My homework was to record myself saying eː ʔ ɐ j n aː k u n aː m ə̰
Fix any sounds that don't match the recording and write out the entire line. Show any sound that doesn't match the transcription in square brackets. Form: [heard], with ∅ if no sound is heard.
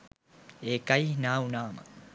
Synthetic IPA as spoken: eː [k] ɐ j n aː [∅] u n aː m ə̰

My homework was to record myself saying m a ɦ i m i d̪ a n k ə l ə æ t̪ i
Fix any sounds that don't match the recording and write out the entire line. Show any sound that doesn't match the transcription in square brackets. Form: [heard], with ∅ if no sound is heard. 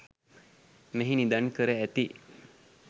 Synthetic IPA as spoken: m [e] ɦ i [n] i d̪ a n k ə [ɾ] ə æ t̪ i

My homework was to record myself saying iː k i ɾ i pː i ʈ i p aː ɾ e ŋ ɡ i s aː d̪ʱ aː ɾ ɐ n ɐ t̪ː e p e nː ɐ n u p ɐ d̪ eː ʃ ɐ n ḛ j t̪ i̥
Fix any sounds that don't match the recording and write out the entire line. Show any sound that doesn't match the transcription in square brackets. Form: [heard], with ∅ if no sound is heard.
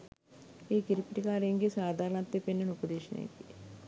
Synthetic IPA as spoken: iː k i ɾ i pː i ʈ i [k] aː ɾ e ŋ ɡ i s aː d̪ʱ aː ɾ ɐ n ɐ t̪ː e p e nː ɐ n u p ɐ d̪ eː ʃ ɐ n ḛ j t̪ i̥

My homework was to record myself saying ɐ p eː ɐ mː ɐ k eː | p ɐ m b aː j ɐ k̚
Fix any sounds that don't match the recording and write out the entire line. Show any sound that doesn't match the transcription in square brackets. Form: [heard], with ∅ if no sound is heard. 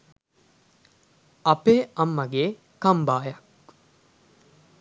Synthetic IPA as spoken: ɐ p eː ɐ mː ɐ [ɡ] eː | [k] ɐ m b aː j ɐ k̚

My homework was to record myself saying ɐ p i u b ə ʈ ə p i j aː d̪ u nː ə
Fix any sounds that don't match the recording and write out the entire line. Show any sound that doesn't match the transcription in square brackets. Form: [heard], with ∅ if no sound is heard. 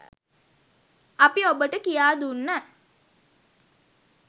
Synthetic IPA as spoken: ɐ p i [o] b ə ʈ ə [k] i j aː d̪ u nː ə

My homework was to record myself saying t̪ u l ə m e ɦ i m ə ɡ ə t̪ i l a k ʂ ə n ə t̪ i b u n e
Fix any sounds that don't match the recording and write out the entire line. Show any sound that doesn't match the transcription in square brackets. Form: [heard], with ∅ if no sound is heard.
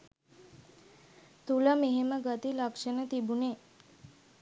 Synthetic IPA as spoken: t̪ u l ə m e ɦ [e] m ə ɡ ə t̪ i l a k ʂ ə n ə t̪ i b u n e

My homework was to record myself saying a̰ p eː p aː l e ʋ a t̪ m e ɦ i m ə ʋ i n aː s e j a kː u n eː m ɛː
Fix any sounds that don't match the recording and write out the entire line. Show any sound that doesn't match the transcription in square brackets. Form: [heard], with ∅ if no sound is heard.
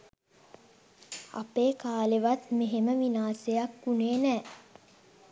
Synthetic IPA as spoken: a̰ p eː [k] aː l e ʋ a t̪ m e ɦ [e] m ə ʋ i n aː s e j a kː u n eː [n] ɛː

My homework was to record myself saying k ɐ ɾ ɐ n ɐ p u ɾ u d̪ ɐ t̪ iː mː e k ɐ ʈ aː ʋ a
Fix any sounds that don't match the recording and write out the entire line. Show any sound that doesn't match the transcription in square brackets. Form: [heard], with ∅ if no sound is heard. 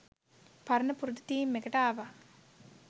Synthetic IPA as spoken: [p] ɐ ɾ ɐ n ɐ p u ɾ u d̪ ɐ t̪ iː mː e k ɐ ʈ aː ʋ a

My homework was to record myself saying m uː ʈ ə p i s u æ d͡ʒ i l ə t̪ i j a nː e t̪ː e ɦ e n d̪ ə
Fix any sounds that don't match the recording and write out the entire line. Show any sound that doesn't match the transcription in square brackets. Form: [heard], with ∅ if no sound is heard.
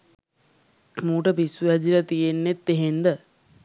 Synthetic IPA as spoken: m uː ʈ ə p i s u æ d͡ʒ i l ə t̪ i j [e] nː e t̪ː e ɦ e n d̪ ə

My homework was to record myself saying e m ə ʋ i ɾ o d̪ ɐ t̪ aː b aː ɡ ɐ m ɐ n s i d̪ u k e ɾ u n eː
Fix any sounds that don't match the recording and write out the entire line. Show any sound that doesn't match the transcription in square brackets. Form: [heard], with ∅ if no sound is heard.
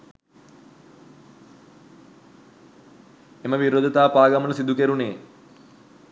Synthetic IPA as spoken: e m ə ʋ i ɾ o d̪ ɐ t̪ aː [p] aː ɡ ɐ m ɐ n s i d̪ u k e ɾ u n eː

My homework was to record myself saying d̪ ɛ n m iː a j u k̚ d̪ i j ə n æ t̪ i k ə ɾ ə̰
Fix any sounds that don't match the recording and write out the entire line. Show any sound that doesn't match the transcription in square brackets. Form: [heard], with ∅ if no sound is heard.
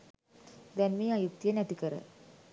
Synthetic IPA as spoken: d̪ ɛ n m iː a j u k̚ [t̪] i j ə n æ t̪ i k ə ɾ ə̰

